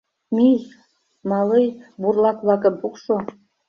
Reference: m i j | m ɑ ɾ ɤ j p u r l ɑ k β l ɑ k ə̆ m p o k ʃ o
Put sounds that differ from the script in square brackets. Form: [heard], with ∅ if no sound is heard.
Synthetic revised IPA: m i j | m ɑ [l] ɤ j [b] u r l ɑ k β l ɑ k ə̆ m p [u] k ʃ o